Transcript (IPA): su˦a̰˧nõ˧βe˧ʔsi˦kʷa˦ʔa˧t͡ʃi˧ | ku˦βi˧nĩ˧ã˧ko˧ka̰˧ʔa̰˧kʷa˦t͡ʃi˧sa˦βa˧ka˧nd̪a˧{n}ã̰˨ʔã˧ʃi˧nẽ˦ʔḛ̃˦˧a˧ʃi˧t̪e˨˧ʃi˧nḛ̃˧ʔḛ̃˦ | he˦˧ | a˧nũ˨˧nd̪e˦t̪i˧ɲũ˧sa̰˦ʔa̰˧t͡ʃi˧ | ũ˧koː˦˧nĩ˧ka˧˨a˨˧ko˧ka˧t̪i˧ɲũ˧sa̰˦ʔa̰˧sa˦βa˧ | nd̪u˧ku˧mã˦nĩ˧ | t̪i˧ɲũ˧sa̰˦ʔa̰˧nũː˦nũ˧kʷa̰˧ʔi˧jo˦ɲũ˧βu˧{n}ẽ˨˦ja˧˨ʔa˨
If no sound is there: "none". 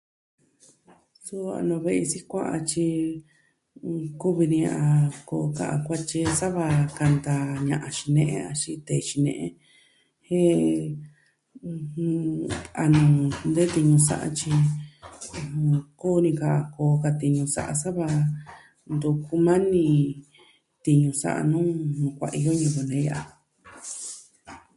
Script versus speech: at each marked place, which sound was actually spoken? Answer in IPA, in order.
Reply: ɲ, n

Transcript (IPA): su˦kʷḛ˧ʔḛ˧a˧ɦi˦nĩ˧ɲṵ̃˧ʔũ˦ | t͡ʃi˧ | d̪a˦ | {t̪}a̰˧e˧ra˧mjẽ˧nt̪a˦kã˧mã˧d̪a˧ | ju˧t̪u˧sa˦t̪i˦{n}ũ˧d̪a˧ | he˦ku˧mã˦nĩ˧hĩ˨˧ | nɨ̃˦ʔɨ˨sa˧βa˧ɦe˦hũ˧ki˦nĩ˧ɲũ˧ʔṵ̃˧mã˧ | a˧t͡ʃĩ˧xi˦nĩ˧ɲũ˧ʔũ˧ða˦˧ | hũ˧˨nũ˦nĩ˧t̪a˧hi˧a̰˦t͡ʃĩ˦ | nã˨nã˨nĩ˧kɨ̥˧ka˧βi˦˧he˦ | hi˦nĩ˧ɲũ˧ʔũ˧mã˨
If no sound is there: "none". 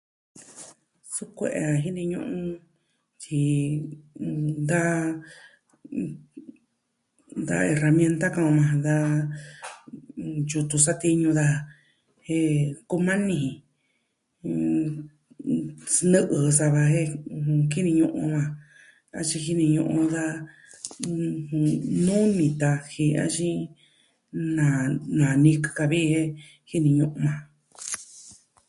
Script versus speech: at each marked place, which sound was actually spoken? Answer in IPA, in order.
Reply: d̪, ɲ

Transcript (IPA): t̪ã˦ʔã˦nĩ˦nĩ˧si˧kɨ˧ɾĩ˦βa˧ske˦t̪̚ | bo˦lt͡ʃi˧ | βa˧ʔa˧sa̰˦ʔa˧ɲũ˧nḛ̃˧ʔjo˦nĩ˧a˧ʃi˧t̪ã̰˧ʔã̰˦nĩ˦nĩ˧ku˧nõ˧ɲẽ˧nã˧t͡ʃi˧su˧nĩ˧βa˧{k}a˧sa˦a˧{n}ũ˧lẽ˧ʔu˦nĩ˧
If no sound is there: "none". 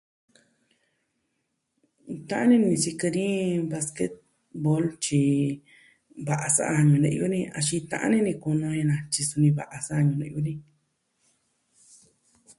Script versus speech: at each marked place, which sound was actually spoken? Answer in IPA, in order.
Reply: ʔ, ɲ

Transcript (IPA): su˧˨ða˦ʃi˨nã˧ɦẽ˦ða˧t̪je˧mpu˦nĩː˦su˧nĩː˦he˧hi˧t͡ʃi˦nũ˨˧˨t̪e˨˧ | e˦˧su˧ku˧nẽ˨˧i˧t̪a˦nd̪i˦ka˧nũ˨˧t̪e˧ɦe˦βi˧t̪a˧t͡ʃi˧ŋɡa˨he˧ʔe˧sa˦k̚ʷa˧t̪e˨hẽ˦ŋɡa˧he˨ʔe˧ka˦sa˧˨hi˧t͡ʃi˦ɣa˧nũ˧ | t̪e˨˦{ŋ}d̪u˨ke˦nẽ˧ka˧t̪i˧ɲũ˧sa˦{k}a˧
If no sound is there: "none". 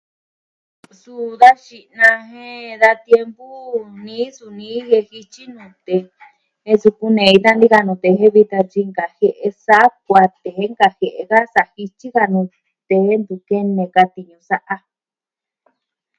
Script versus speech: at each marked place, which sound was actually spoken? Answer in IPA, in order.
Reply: n, ʔ

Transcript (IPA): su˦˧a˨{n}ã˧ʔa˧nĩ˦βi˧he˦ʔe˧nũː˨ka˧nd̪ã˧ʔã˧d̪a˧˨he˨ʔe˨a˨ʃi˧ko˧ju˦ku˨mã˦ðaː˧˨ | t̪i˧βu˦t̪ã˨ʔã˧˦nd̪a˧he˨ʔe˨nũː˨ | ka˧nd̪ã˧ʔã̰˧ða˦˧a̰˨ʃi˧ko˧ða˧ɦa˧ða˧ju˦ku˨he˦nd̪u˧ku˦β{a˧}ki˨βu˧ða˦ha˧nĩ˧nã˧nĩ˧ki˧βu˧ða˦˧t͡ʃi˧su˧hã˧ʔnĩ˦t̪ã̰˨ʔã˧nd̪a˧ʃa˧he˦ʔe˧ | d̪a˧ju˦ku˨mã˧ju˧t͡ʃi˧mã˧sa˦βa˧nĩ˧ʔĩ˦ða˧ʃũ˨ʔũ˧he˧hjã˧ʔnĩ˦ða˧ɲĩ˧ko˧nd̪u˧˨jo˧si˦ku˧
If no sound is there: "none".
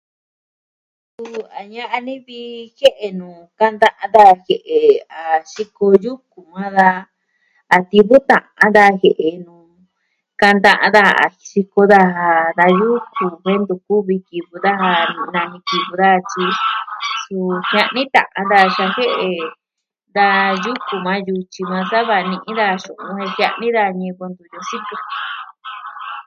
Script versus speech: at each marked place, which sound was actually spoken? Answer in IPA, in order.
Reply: ɲ, i˧

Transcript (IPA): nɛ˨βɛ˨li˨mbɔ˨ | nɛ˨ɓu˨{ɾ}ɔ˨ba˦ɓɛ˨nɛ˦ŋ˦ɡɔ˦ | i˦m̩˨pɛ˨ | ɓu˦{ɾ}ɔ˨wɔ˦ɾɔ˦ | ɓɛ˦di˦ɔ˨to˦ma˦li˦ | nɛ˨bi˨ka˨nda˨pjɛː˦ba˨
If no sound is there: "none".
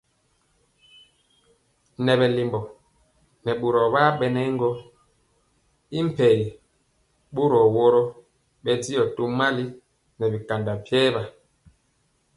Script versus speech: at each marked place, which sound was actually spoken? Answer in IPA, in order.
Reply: ɾ, ɾ

